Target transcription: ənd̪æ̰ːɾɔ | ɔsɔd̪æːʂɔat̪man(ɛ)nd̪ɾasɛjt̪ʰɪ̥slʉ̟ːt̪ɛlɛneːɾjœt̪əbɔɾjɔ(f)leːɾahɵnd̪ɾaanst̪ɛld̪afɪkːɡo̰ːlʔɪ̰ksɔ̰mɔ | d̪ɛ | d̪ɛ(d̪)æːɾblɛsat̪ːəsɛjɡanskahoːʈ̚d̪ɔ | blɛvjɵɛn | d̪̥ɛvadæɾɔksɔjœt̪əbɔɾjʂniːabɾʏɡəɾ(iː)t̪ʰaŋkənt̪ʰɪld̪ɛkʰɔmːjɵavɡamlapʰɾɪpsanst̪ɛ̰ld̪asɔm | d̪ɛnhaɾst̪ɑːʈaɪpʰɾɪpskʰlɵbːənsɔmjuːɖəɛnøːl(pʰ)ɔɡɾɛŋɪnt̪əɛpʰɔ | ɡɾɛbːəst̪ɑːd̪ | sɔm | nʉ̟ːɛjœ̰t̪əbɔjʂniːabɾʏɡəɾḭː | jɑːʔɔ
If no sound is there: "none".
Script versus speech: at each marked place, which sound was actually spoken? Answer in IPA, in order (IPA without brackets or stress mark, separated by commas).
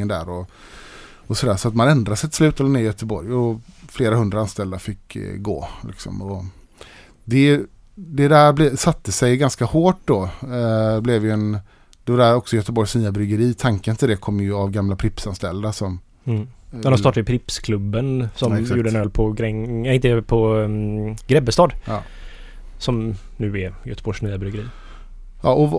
ɛ, f, d̪, iː, pʰ